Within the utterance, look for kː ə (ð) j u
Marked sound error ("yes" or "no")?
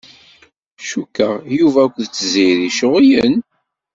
yes